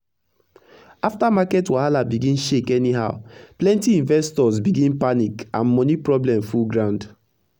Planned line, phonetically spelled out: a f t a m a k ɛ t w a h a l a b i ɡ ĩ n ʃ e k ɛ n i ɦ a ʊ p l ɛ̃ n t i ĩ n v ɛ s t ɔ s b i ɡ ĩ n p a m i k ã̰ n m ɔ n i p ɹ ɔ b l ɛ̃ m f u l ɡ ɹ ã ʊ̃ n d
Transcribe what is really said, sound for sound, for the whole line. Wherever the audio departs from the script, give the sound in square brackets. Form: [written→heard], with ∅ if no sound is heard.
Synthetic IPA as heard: a f t a m a k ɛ t w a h a l a b i ɡ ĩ n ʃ e k ɛ n i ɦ a ʊ p l ɛ̃ n t i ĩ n v ɛ s t ɔ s b i ɡ ĩ n p a [m→n] i k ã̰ n m ɔ n i p ɹ ɔ b l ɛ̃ m f u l ɡ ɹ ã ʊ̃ n d

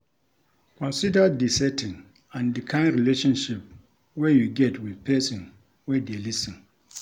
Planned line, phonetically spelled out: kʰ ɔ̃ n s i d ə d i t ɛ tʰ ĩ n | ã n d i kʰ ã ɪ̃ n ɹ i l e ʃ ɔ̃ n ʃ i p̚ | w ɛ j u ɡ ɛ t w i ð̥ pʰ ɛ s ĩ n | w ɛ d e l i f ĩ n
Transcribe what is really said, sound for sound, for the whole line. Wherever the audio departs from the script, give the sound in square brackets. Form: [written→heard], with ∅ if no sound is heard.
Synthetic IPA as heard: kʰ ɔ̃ n s i d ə d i [t→s] ɛ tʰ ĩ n | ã n d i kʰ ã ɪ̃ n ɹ i l e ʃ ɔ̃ n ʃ i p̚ | w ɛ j u ɡ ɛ t w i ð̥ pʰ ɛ s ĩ n | w ɛ d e l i [f→s] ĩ n

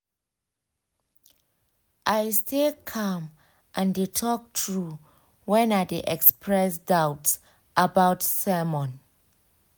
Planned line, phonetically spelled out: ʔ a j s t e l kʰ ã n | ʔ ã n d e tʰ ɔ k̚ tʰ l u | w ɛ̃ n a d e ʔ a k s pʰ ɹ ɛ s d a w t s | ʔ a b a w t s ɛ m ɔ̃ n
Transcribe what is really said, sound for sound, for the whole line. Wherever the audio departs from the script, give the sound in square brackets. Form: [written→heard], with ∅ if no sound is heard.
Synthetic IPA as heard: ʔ a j s t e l kʰ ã [n→m] | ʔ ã n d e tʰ ɔ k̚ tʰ [l→ɹ] u | w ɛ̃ n a d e ʔ [a→ɛ] k s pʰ ɹ ɛ s d a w t s | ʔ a b a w t s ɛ m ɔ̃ n

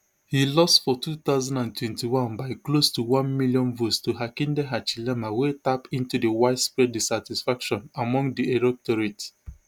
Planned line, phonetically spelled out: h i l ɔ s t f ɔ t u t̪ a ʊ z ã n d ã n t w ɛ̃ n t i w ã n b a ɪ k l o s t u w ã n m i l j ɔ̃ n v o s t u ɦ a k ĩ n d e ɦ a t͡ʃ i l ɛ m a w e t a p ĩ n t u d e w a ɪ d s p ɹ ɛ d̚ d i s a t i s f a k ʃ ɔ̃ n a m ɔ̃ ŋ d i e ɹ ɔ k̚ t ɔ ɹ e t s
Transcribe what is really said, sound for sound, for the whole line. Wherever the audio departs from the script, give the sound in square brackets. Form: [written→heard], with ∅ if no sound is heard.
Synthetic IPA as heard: h i l ɔ s t f ɔ t u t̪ a ʊ z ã n d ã n t w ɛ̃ n t i w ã n b a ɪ k l o s t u w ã n m i l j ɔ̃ n v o s t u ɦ a k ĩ n d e ɦ a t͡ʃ i l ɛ m a w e t a p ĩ n t u d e w a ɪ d s p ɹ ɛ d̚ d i s a t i s f a k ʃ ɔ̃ n a m ɔ̃ ŋ d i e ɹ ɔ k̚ t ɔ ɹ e t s

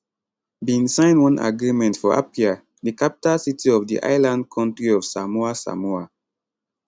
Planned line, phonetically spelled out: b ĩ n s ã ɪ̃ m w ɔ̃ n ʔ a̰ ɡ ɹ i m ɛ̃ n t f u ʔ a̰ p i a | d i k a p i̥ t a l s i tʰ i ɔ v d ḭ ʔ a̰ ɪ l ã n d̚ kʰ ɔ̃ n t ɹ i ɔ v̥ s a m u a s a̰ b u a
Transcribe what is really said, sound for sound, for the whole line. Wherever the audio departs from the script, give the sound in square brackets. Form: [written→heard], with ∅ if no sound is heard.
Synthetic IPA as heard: b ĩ n s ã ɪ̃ [m→n] w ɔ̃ n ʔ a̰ ɡ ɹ i m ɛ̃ n t f [u→ɔ] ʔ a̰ p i a | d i k a p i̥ t a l s i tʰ i ɔ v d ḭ ʔ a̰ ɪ l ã n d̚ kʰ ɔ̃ n t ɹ i ɔ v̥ s a m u a s a̰ [b→m] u a

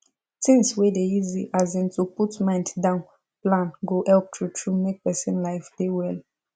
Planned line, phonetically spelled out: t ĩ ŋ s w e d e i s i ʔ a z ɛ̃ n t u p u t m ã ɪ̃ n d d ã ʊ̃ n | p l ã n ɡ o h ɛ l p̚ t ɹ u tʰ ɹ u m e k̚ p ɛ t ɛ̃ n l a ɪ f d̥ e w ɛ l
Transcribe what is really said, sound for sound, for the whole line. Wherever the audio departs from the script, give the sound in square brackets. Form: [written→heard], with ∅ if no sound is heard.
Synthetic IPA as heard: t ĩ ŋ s w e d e i [s→z] i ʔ a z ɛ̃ n t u p u t m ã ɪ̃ n d d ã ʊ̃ n | p l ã n ɡ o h ɛ l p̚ t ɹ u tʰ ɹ u m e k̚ p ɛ [t→s] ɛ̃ n l a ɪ f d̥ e w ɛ l

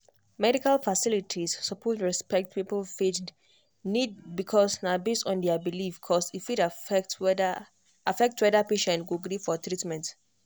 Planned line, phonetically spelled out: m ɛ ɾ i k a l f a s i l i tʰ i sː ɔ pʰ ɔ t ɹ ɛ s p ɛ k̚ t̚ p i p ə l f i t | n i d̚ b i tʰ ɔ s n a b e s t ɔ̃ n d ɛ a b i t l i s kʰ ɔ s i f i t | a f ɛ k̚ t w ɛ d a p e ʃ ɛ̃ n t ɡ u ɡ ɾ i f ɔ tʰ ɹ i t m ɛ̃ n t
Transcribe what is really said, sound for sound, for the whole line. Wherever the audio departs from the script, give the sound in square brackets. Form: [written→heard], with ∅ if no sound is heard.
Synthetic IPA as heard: m ɛ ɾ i k a l f a s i l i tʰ i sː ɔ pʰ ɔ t ɹ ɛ s p ɛ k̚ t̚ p i p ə l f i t | n i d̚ b i [tʰ→kʰ] ɔ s n a b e s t ɔ̃ n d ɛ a b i [t→∅] l i [s→f] kʰ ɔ s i f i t | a f ɛ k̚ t w ɛ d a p e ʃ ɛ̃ n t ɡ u ɡ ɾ i f ɔ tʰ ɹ i t m ɛ̃ n t

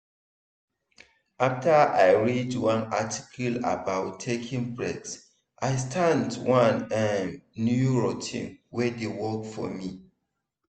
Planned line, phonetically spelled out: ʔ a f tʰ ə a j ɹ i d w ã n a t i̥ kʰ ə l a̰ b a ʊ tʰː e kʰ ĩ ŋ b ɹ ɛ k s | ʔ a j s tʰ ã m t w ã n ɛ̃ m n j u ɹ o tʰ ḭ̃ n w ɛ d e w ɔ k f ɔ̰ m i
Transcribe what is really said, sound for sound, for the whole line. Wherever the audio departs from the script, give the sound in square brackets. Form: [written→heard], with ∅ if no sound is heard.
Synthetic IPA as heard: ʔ a f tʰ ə a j ɹ i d w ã n a t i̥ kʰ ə l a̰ b a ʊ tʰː e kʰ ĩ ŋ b ɹ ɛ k s | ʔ a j s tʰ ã [m→n] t w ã n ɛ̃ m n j u ɹ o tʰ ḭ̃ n w ɛ d e w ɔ k f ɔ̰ m i

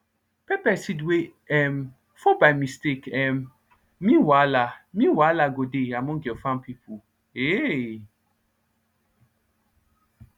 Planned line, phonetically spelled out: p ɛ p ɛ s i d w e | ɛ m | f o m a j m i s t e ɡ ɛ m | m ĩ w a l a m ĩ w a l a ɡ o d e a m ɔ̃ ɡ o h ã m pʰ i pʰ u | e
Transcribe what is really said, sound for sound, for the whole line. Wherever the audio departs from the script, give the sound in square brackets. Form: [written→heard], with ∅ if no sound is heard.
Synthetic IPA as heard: p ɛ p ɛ s i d w e | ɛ m | f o [m→b] a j m i s t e [ɡ→k] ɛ m | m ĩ w a l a m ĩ w a l a ɡ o d e a m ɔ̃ ɡ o [h→f] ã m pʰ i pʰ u | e

